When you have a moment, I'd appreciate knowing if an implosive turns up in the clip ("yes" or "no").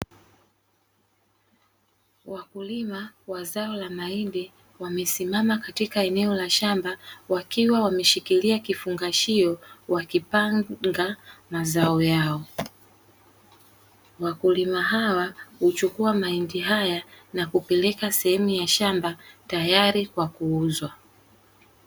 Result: no